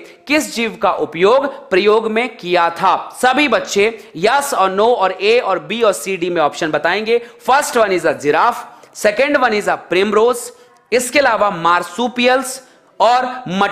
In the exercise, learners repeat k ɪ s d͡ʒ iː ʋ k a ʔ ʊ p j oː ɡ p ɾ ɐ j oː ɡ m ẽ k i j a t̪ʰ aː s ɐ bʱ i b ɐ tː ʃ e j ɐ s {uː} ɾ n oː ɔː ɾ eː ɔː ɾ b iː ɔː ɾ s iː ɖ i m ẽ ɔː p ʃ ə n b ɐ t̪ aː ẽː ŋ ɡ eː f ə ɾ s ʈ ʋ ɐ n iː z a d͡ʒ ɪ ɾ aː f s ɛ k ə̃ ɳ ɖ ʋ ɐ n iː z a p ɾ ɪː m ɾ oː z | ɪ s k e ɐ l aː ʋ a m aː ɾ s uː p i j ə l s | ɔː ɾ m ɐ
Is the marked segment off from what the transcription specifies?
yes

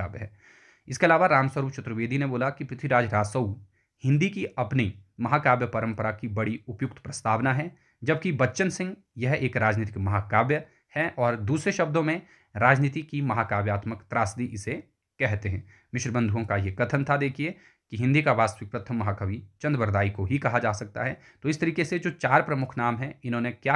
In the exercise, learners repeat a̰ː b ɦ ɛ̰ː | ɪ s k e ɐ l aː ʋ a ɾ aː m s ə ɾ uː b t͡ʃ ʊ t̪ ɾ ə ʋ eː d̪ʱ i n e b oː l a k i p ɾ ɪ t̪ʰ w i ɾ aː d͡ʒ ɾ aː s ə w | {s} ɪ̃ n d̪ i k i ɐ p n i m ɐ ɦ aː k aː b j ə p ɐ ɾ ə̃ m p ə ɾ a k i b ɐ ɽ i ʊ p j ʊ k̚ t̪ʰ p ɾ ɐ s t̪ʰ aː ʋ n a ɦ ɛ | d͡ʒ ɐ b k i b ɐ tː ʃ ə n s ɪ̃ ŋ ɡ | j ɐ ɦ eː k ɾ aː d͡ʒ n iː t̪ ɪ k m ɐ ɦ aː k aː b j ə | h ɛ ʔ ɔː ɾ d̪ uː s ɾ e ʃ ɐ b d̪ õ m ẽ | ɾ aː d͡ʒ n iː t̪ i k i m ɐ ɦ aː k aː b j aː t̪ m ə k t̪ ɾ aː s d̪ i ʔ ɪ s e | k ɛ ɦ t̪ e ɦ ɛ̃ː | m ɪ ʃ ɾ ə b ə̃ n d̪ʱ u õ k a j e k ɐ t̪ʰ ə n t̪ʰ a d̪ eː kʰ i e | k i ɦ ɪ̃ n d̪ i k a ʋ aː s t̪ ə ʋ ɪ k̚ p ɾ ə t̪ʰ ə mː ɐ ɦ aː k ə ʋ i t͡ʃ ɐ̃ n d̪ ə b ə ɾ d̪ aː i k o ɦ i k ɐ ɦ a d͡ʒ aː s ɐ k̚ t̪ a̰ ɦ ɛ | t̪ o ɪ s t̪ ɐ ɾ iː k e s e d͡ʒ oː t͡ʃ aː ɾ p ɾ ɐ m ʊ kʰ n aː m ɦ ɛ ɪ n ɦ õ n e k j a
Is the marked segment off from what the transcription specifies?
yes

